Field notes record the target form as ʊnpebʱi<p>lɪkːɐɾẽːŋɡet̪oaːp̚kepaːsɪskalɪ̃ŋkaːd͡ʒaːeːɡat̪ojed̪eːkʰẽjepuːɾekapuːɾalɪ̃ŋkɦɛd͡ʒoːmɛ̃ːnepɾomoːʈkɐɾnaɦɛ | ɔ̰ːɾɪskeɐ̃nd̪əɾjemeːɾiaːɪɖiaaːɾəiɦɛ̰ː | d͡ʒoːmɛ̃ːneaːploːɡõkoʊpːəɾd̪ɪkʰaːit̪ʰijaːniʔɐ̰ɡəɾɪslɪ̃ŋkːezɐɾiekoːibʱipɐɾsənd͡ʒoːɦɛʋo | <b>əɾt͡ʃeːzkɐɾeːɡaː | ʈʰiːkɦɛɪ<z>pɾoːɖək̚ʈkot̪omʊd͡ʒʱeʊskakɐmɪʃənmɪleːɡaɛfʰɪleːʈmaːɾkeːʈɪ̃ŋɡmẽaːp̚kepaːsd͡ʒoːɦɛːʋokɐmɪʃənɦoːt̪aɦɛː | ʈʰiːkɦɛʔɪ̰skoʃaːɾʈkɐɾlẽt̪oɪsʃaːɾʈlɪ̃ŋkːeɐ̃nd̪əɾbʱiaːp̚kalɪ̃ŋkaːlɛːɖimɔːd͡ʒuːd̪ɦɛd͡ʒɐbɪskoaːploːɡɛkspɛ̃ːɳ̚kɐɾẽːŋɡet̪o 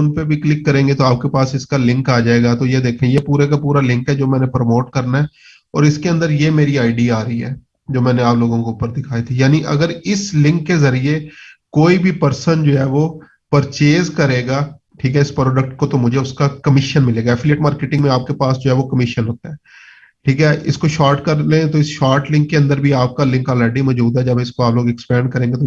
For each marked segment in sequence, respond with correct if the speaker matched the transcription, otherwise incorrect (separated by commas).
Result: incorrect, incorrect, incorrect